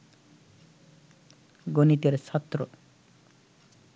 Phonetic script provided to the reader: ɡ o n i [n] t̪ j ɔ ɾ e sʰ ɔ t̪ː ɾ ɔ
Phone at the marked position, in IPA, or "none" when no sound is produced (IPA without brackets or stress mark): none